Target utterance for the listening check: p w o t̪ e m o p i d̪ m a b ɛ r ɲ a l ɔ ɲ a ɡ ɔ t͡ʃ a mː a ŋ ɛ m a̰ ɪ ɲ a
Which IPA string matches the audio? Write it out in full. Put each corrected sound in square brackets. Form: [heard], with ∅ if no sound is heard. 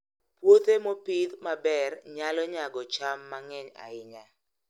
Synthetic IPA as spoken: p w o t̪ e m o p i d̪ m a b ɛ r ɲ a l ɔ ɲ a ɡ ɔ t͡ʃ a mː a ŋ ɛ [ɲ] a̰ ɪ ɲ a